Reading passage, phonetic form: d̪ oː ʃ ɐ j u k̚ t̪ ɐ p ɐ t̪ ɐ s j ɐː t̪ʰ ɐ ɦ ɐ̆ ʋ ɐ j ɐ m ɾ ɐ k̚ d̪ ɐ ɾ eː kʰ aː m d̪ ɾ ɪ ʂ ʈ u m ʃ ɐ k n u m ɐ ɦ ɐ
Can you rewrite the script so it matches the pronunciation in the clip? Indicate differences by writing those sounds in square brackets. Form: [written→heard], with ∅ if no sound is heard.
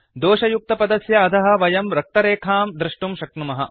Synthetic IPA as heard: d̪ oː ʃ ɐ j u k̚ t̪ ɐ p ɐ [t̪→d̪] ɐ s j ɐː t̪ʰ ɐ ɦ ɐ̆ ʋ ɐ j ɐ m ɾ ɐ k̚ [d̪→t̪] ɐ ɾ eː kʰ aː m d̪ ɾ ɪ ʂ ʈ u m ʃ ɐ k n u m ɐ ɦ ɐ